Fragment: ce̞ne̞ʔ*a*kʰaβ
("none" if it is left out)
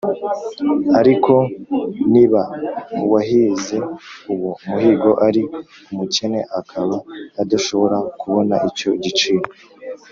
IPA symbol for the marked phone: a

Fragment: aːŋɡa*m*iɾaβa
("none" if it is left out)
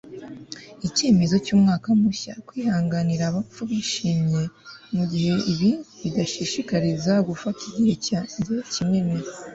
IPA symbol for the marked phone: n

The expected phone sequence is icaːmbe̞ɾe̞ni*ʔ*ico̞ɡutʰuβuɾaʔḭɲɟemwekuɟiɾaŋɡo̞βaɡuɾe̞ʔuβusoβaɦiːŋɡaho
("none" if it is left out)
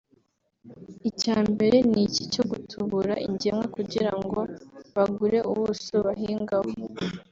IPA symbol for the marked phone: c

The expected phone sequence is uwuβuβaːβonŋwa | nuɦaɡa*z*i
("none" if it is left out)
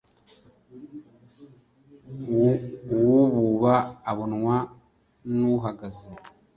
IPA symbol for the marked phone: z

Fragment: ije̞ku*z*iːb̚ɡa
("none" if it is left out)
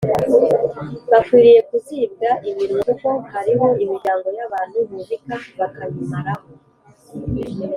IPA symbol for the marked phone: z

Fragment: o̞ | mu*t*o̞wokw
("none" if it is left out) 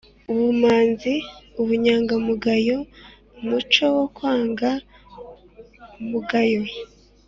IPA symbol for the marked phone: t͡ʃ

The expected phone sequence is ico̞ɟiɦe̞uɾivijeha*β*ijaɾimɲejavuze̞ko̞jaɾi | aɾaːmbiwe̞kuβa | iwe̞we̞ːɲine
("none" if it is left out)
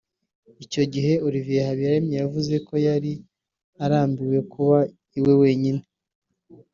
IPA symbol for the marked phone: β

